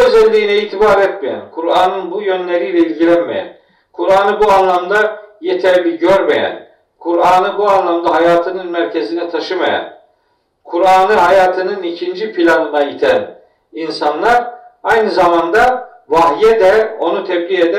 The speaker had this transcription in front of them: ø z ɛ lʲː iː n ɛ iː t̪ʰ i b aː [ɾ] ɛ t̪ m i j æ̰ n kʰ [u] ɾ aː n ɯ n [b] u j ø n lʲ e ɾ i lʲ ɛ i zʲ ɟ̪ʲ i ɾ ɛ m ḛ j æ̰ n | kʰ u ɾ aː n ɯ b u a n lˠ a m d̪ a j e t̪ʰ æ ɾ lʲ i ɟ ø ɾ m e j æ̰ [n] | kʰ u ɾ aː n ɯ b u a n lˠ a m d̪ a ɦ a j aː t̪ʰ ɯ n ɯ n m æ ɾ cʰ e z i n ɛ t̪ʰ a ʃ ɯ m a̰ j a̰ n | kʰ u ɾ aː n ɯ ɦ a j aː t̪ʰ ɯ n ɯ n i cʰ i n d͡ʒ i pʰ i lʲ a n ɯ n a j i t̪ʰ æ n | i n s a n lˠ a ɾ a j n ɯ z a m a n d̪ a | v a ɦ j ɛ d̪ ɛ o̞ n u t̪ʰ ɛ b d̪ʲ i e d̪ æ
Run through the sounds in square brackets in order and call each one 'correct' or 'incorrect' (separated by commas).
correct, correct, correct, correct